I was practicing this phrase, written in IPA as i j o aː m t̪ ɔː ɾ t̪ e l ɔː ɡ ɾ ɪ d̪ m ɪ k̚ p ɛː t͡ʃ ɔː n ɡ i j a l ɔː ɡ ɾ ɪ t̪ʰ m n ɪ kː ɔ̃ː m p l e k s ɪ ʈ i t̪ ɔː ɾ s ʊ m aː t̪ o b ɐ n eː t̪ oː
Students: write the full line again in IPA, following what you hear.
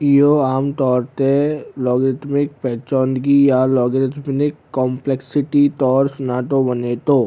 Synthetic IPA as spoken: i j o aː m t̪ ɔː ɾ t̪ e l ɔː ɡ ɾ ɪ t̪ m ɪ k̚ p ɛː t͡ʃ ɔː n ɡ i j a l ɔː ɡ ɾ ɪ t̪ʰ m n ɪ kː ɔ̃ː m p l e k s ɪ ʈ i t̪ ɔː ɾ s ʊ n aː t̪ o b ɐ n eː t̪ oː